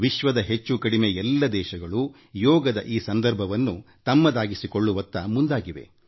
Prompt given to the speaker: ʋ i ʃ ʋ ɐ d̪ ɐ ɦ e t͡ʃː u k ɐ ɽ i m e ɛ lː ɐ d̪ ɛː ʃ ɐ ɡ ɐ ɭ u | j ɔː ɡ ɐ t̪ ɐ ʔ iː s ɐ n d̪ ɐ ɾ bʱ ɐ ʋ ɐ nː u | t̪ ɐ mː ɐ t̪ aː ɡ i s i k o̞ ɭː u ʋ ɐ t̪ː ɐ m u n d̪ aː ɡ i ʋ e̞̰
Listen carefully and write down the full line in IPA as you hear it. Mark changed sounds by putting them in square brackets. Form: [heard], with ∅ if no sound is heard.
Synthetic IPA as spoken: ʋ i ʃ ʋ ɐ d̪ ɐ ɦ e t͡ʃː u k ɐ ɽ i m e ɛ lː ɐ d̪ ɛː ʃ ɐ ɡ ɐ ɭ u | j ɔː ɡ ɐ [d̪] ɐ ʔ iː s ɐ n d̪ ɐ ɾ bʱ ɐ ʋ ɐ nː u | t̪ ɐ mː ɐ [d̪] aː ɡ i s i k o̞ ɭː u ʋ ɐ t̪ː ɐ m u n d̪ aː ɡ i ʋ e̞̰